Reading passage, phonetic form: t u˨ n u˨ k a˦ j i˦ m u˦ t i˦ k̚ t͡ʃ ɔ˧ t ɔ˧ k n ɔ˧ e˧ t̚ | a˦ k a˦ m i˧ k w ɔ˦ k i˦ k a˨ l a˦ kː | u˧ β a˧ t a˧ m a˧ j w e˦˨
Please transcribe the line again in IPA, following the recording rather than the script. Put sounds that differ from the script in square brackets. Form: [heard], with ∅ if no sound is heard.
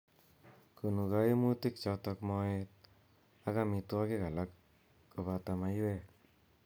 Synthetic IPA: [k] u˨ n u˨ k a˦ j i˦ m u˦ t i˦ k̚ t͡ʃ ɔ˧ t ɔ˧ k [m] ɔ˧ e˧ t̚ | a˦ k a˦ m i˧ [t] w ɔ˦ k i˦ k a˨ l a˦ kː | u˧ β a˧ t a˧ m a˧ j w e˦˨